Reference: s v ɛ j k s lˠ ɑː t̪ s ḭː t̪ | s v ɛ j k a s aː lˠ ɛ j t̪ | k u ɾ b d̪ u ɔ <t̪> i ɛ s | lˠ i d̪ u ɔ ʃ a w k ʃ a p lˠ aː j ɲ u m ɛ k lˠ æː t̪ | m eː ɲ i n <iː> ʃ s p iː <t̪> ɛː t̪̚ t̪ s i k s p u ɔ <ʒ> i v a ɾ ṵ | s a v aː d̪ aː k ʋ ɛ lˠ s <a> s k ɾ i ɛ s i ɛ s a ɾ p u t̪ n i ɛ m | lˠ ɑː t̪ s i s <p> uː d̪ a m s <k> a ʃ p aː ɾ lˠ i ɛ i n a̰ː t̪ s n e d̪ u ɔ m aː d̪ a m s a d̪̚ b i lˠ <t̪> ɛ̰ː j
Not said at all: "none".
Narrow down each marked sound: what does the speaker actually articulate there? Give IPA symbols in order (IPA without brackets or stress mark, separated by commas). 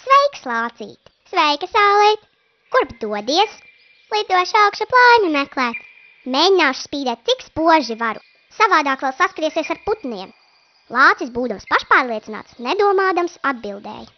d̪, aː, d̪, ʒ, a, b, p, d̪